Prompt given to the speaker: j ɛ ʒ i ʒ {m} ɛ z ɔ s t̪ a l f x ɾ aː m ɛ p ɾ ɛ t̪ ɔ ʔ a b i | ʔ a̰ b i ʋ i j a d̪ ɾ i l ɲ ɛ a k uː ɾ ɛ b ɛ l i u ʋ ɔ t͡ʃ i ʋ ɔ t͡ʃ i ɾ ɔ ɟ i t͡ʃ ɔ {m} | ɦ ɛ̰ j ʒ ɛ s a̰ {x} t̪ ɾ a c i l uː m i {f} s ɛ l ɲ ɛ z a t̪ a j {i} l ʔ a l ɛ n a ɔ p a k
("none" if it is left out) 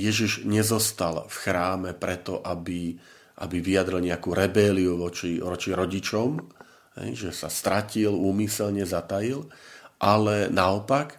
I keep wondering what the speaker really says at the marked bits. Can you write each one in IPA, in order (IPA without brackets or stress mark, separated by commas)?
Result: ɲ, m, s, none, i